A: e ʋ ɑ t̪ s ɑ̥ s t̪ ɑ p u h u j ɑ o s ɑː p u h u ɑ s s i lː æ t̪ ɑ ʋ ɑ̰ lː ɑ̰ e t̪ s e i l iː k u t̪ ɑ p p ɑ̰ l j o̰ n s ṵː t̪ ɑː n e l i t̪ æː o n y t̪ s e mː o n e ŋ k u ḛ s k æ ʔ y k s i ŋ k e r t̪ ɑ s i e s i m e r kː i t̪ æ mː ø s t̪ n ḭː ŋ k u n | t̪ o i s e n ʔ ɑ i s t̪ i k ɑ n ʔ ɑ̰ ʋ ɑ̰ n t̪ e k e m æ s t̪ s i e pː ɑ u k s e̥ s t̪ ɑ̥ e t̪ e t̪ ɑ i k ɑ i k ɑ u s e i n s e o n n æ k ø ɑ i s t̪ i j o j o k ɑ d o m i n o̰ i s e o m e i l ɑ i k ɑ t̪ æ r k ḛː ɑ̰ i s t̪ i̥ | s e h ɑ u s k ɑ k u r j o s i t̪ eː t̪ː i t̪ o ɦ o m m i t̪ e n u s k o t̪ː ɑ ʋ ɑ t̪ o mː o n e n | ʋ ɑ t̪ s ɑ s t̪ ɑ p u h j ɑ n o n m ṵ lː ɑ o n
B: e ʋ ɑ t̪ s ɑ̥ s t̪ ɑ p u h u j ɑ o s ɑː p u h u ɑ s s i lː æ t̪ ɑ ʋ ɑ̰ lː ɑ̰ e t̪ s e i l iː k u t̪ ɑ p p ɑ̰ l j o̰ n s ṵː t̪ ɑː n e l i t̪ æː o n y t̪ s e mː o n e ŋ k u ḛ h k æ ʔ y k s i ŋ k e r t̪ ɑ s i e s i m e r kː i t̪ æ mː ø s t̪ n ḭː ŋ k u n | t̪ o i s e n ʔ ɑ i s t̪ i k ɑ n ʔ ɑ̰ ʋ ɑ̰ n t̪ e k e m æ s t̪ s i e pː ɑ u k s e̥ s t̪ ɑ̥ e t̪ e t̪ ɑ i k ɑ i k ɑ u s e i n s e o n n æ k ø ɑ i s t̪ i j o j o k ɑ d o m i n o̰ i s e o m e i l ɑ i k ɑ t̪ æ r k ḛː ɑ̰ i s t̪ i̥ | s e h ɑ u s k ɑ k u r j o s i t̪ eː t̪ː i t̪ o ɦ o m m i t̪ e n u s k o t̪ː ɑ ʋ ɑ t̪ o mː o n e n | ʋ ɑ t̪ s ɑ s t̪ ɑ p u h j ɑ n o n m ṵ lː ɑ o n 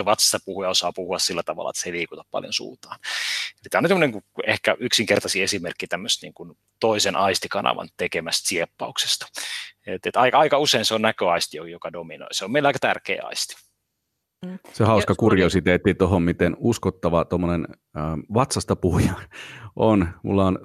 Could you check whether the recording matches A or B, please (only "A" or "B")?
B